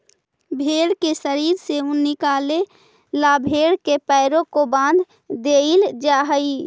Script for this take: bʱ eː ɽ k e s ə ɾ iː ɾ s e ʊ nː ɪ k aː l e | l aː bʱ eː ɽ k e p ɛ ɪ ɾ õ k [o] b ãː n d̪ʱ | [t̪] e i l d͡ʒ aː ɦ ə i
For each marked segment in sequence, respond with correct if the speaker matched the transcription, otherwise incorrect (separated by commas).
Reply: correct, incorrect